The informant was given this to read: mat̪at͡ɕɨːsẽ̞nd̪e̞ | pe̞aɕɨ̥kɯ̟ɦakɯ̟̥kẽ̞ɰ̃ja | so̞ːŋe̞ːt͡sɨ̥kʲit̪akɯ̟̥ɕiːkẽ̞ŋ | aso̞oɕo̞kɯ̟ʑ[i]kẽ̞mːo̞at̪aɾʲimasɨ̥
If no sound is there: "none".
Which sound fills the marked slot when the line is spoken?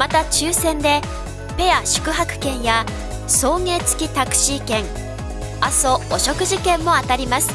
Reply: i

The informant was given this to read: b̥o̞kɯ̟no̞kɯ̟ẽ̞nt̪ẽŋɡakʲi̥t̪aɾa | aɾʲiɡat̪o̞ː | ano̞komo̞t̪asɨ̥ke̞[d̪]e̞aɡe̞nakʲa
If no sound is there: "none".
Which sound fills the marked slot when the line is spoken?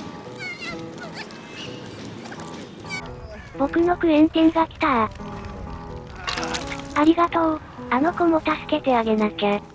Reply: t̪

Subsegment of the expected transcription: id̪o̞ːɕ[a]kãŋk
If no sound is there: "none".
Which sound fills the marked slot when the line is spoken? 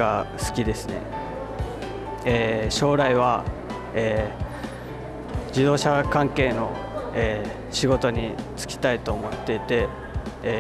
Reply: a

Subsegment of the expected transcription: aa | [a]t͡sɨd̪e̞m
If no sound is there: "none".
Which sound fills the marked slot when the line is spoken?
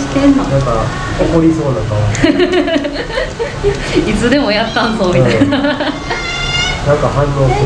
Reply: i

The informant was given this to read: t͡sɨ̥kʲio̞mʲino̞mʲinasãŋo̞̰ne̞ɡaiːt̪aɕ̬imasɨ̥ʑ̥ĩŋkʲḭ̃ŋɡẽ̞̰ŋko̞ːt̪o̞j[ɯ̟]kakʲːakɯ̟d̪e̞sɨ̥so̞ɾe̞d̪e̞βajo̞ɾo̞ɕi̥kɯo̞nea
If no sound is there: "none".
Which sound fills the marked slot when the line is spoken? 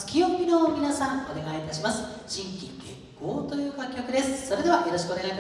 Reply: ɯ̟ː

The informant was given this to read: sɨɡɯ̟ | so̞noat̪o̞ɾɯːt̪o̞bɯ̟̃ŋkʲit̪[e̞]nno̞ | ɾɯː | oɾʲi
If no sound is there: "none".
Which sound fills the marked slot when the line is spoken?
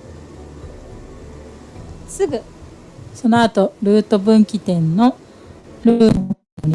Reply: ẽ̞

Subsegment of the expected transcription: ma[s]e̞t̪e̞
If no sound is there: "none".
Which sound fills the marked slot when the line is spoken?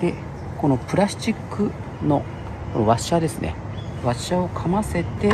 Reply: s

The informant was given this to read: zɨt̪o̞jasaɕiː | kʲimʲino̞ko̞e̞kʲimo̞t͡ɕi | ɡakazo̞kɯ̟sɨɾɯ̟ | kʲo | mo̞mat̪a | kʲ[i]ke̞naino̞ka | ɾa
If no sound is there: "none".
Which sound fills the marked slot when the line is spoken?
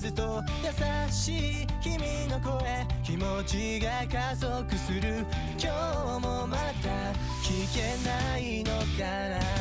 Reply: i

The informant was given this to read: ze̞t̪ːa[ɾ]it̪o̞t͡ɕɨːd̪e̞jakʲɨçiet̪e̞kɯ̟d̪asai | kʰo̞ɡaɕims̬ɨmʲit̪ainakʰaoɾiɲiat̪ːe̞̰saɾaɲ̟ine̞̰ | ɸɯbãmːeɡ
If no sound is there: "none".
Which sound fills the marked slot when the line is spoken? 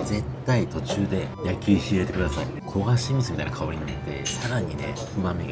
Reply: none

